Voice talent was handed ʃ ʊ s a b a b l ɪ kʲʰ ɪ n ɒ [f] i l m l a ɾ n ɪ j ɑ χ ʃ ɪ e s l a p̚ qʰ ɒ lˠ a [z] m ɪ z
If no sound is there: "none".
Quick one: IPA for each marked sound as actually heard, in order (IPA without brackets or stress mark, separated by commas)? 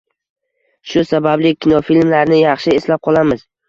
f, none